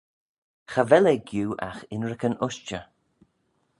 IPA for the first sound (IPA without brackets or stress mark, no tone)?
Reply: x